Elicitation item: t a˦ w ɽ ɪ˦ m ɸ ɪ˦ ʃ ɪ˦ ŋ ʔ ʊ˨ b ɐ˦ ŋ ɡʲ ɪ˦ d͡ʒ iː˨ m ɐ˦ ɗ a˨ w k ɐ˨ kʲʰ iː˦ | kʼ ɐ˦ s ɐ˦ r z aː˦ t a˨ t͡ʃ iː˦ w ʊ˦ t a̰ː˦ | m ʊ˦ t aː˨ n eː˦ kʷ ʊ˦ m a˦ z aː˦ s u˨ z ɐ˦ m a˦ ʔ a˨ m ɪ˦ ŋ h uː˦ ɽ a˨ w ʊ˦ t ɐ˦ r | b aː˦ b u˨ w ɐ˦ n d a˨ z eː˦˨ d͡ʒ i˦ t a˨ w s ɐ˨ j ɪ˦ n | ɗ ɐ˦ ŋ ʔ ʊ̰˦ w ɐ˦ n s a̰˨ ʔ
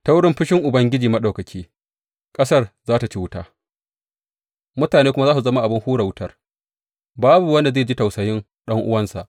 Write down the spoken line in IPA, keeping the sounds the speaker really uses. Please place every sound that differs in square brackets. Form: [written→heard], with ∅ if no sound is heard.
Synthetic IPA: t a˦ w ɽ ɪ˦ m ɸ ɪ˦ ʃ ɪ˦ ŋ ʔ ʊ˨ b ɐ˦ ŋ ɡʲ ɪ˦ d͡ʒ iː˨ m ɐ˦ ɗ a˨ w k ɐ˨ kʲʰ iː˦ | kʼ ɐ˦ s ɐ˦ r z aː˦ t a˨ t͡ʃ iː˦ w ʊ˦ t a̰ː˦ | m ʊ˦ t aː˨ n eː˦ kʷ ʊ˦ m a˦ z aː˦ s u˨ z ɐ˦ m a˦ ʔ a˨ [m→b] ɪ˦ ŋ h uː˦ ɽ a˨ w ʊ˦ t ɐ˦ r | b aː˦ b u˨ w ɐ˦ n d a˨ z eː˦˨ d͡ʒ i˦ t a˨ w s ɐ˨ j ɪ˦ n | ɗ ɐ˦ ŋ ʔ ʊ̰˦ w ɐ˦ n s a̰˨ ʔ